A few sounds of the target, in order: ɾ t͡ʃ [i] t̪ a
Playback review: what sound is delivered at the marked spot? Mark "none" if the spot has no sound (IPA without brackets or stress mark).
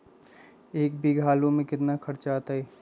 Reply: a